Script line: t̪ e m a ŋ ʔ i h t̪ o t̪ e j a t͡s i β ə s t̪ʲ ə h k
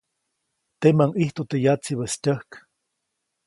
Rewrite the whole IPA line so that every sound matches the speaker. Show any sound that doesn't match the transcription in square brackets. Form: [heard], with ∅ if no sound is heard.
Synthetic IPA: t̪ e m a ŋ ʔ i h t̪ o t̪ e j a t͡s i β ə s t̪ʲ ə h k